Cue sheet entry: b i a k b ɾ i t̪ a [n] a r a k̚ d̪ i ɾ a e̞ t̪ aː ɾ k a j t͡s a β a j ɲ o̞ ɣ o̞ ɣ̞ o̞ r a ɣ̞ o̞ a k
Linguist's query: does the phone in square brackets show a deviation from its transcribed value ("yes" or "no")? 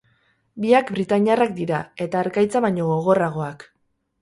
yes